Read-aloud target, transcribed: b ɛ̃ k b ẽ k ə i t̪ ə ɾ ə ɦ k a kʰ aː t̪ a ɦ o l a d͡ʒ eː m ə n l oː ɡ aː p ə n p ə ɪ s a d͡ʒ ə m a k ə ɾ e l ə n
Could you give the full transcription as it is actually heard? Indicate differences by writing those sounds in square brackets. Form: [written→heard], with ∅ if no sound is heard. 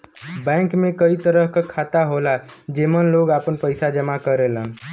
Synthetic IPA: b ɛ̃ k [b→m] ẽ k ə i t̪ ə ɾ ə ɦ k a kʰ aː t̪ a ɦ o l a d͡ʒ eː m ə n l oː ɡ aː p ə n p ə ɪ s a d͡ʒ ə m a k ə ɾ e l ə n